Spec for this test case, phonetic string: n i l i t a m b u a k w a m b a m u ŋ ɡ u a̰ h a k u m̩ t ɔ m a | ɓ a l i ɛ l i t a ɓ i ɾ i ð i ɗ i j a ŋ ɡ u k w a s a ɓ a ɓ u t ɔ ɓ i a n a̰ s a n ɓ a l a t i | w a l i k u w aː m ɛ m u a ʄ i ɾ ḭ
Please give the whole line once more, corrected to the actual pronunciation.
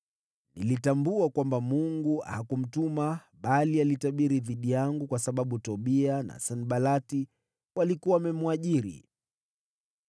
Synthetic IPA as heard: n i l i t a m b u a k w a m b a m u ŋ ɡ u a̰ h a k u m̩ t u m a | ɓ a l i a l i t a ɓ i ɾ i ð i ɗ i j a ŋ ɡ u k w a s a ɓ a ɓ u t ɔ ɓ i a n a̰ s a n ɓ a l a t i | w a l i k u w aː m ɛ m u a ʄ i ɾ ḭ